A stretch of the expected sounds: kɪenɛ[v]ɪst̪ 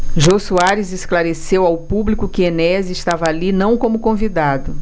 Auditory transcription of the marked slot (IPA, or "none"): z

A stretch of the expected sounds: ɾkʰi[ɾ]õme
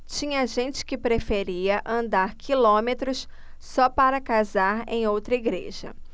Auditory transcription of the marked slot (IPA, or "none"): l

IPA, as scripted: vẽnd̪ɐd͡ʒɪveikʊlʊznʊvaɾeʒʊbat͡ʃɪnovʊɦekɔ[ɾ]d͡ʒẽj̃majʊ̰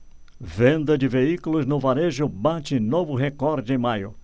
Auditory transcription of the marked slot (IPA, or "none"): ɾ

